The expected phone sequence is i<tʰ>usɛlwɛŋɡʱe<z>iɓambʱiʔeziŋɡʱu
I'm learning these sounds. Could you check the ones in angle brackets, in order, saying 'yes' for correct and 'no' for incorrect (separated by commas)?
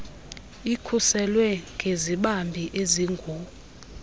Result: no, yes